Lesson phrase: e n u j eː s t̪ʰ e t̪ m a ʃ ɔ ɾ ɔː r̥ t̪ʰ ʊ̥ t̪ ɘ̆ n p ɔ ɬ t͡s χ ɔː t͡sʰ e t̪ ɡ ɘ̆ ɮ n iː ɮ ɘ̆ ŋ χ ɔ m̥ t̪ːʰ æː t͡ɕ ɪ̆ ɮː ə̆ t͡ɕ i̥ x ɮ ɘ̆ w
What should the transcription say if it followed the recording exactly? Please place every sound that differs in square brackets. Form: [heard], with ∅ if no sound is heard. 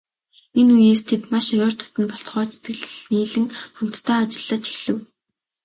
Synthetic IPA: e n u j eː s t̪ʰ e t̪ m a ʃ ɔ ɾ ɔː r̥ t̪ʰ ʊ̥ t̪ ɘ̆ n p ɔ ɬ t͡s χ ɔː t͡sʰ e t̪ ɡ ɘ̆ ɮ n iː ɮ ɘ̆ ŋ χ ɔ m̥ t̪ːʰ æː t͡ɕ ɪ̆ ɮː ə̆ t͡ɕ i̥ x ɮ ɘ̆ w